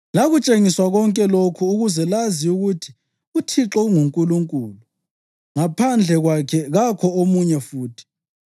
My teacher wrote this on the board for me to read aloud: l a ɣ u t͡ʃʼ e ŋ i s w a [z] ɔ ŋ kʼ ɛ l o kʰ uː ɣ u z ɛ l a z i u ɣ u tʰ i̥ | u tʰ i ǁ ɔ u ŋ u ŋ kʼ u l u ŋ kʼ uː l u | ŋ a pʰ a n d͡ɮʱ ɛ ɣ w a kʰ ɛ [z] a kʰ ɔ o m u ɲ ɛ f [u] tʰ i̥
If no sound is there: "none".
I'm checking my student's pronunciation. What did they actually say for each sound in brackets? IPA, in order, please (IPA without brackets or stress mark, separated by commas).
ɣ, ɣ, uː